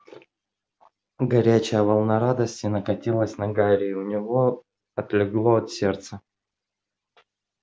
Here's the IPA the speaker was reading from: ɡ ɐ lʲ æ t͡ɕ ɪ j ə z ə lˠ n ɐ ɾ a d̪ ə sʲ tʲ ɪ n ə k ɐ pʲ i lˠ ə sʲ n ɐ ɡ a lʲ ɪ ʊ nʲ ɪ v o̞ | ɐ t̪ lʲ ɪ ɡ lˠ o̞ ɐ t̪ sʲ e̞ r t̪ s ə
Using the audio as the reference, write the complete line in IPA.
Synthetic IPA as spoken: ɡ ɐ ɾʲ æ t͡ɕ ɪ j ə v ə lˠ n ɐ ɾ a d̪ ə sʲ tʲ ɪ n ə k ɐ tʲ i lˠ ə sʲ n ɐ ɡ a ɾʲ ɪ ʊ nʲ ɪ v o̞ | ɐ t̪ lʲ ɪ ɡ lˠ o̞ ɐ t̪ sʲ e̞ r t̪ s ə